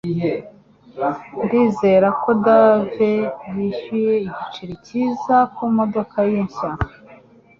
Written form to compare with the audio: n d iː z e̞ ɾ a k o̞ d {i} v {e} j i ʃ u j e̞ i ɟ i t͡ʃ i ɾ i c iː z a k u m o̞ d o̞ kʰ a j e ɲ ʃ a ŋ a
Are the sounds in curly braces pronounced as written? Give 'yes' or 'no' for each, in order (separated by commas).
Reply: no, yes